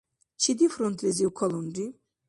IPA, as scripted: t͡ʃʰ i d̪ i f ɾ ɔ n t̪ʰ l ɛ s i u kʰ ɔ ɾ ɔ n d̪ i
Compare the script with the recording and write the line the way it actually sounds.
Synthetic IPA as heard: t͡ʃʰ i d̪ i f ɾ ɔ n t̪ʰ l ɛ z i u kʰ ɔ l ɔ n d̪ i